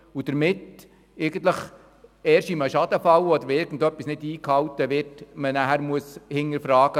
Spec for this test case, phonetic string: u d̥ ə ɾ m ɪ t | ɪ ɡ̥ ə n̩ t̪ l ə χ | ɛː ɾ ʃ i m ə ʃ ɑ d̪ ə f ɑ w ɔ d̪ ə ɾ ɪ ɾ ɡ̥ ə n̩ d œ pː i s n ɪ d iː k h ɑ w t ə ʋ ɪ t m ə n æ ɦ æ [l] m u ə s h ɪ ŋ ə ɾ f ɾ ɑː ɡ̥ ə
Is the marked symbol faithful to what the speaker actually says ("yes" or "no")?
no